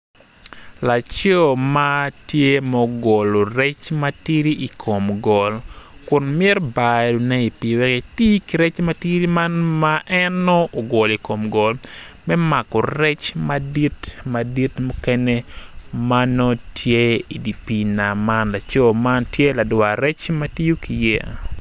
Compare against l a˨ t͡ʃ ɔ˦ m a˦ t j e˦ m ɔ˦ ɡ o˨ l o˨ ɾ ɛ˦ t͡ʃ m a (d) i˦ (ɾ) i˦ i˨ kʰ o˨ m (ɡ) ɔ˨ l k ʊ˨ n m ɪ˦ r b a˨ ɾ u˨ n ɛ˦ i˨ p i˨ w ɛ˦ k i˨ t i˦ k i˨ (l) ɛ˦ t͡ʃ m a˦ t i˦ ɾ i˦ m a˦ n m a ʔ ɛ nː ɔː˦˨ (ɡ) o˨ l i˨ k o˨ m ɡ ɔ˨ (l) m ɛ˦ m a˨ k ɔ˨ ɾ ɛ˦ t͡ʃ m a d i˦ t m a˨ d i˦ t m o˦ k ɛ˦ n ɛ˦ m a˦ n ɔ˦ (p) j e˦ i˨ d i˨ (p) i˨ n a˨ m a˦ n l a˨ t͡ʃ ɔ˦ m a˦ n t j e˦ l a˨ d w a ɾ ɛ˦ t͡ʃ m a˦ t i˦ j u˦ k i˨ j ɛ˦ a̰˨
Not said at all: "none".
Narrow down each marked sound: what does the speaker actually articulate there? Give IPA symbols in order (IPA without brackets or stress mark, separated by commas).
t, ɾ, ɡ, ɾ, ɡ, l, t, p